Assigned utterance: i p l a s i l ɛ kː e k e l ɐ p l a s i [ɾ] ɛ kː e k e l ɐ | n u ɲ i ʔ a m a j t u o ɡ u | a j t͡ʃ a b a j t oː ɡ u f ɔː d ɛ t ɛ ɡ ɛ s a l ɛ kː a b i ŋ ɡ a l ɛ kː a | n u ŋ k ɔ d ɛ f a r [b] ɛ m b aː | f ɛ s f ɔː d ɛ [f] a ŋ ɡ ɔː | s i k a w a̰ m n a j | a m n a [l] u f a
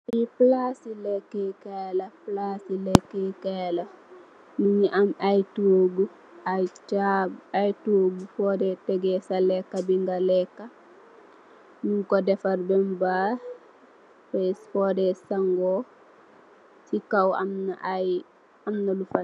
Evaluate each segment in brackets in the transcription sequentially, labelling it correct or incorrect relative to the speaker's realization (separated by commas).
incorrect, correct, incorrect, correct